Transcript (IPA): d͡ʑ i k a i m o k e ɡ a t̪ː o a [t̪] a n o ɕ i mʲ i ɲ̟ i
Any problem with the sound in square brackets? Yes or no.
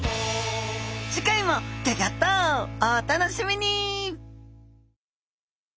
no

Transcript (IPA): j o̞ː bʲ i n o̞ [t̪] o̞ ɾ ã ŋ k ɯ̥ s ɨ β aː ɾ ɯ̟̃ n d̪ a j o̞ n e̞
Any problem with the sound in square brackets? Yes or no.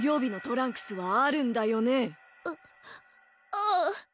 no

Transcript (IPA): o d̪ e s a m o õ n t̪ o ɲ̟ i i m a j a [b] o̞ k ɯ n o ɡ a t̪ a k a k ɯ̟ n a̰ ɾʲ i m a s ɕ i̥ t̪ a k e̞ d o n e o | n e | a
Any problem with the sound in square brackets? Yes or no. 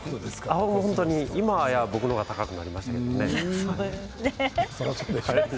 no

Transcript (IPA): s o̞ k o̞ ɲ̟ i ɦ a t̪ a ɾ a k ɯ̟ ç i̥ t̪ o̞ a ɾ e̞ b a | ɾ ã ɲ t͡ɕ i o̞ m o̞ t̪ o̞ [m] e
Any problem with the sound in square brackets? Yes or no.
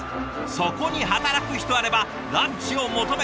no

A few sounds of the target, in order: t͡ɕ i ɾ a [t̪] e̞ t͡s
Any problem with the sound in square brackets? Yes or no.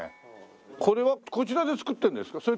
yes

